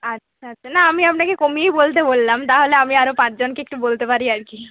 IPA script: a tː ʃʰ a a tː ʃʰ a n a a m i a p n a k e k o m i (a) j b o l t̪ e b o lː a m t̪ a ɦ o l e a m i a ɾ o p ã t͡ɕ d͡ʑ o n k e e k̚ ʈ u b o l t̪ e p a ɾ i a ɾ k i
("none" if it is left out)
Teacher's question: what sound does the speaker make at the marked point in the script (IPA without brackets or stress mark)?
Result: e